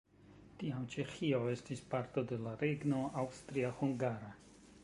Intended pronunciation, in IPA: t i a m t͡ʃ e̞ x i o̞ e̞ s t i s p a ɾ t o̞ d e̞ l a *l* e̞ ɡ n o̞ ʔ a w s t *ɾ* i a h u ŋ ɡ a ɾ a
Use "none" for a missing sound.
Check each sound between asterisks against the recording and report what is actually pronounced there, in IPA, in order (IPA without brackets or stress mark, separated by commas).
ɾ, ɾ